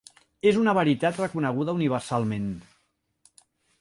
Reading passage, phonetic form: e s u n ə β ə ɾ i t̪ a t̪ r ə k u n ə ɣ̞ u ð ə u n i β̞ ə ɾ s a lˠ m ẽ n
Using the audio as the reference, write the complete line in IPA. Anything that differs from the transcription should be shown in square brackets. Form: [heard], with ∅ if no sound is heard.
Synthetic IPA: e [z] u n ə β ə ɾ i t̪ a t̪ r ə k u n ə ɣ̞ u ð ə u n i β̞ ə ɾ s a lˠ m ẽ n